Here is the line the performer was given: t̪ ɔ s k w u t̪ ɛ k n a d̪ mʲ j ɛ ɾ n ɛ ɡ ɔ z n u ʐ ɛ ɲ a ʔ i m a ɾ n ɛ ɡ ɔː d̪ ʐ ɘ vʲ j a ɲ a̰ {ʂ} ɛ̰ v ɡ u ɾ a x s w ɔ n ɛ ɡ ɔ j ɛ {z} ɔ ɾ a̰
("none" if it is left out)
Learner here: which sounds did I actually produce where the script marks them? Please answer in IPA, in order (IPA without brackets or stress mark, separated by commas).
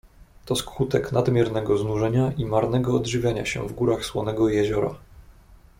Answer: ɕ, ʑ